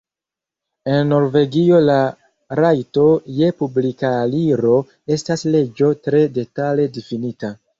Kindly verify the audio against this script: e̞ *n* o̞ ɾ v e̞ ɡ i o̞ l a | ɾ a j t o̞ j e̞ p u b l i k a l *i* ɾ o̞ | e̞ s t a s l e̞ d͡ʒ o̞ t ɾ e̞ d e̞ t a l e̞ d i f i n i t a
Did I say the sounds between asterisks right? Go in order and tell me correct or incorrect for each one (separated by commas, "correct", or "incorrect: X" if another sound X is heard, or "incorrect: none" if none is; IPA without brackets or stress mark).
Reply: incorrect: nː, correct